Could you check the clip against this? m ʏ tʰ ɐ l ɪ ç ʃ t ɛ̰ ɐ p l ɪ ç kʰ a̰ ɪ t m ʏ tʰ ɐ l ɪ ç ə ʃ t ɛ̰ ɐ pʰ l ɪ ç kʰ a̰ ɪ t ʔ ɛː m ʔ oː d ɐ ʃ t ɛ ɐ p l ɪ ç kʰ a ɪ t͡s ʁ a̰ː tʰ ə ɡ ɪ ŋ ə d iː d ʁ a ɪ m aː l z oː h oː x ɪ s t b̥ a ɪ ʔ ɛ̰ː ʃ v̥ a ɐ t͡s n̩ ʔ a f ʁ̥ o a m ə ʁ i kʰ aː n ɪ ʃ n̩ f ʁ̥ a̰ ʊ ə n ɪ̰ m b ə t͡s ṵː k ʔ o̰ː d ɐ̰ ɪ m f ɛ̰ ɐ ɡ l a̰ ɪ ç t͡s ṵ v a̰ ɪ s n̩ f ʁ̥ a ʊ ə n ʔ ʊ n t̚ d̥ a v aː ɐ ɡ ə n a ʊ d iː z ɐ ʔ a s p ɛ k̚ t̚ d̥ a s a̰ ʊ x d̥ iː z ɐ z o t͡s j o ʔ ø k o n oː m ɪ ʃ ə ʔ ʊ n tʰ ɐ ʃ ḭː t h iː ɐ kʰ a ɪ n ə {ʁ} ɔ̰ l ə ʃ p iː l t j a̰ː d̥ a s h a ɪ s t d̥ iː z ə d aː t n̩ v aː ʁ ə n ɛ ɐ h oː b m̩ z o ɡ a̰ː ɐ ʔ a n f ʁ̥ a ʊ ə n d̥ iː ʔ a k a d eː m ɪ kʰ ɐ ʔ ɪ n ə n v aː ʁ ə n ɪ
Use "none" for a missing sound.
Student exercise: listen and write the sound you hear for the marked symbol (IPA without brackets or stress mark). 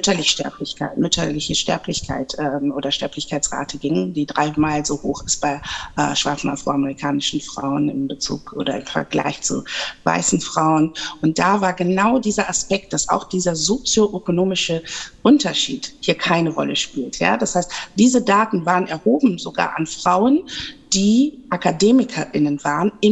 ʁ